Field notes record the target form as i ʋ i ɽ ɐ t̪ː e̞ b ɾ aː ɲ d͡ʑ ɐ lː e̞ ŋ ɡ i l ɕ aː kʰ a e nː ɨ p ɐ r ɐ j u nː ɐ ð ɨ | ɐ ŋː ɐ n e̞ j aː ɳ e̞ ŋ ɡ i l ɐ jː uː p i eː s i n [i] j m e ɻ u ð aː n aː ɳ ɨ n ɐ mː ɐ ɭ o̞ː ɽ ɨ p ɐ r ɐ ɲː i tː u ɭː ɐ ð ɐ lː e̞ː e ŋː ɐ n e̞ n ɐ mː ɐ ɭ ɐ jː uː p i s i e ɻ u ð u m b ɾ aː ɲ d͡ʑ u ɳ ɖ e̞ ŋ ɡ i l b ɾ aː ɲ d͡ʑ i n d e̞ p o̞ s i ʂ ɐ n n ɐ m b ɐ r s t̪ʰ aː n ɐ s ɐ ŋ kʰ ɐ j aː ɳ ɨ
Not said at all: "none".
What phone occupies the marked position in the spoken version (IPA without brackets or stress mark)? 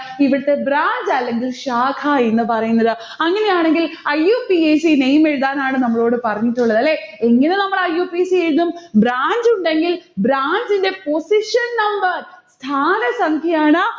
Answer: e